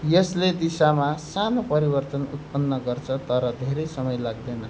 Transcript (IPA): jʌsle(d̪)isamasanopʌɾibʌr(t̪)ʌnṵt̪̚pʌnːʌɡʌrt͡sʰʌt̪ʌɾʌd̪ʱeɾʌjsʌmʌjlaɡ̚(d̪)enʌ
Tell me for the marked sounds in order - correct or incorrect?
correct, correct, correct

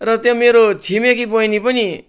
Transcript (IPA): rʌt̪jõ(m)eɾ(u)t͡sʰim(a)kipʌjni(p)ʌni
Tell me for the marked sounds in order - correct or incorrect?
correct, incorrect: o, incorrect: e, correct

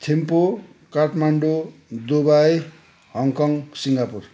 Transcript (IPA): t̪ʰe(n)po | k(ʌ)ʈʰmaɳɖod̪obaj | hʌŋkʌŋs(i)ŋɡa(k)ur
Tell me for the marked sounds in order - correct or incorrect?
incorrect: m, incorrect: a, correct, incorrect: p

